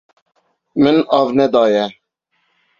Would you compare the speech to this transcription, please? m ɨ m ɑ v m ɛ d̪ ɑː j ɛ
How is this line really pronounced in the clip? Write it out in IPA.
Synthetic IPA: m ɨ n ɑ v n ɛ d̪ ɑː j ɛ